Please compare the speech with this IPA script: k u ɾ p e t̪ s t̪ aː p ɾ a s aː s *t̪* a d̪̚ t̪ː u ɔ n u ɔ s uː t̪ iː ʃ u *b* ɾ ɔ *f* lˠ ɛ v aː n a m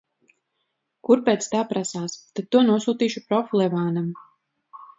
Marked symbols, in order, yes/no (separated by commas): yes, no, yes